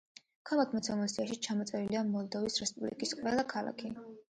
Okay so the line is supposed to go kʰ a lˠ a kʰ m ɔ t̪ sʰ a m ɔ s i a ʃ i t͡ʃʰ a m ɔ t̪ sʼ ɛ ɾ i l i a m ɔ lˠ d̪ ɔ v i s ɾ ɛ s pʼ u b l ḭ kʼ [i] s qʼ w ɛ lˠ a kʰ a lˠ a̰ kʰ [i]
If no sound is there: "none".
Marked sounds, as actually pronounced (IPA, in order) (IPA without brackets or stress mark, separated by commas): i, i